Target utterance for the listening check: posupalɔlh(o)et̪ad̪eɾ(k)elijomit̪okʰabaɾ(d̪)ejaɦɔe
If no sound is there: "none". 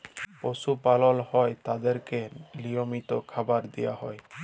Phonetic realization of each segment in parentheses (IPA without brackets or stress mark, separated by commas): ɔ, k, d̪